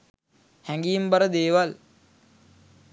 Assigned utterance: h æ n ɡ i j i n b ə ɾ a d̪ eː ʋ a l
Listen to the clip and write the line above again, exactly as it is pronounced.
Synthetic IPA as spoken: h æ ŋ ɡ i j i m b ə ɾ ə d̪ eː ʋ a l